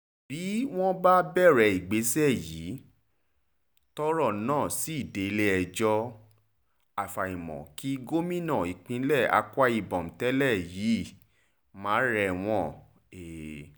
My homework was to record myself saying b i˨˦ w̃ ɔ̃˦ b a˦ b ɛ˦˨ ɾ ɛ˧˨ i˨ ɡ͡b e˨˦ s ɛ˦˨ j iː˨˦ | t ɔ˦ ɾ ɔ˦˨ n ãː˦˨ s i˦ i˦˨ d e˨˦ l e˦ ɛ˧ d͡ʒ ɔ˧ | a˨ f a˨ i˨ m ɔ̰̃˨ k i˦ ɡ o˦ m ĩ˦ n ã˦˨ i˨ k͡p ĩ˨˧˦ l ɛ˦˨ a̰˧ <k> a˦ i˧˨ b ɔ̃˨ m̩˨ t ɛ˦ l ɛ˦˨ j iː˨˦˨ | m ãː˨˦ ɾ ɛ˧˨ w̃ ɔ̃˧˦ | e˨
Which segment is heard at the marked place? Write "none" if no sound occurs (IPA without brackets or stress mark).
k